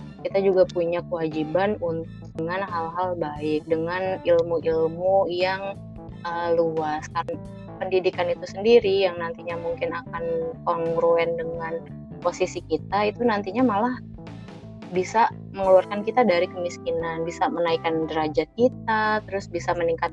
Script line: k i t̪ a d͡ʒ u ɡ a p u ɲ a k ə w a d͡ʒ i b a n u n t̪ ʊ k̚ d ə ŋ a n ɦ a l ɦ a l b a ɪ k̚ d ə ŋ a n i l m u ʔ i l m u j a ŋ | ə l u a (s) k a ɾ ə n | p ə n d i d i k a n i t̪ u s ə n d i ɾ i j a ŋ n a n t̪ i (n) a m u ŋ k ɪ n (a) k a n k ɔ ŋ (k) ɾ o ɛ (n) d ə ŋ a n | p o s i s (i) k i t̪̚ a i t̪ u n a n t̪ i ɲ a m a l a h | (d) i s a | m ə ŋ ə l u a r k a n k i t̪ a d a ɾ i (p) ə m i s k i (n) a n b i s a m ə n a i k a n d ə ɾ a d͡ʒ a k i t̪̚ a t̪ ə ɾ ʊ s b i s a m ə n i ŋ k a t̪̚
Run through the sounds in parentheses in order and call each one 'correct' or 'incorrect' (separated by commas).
correct, incorrect, correct, incorrect, correct, correct, incorrect, incorrect, correct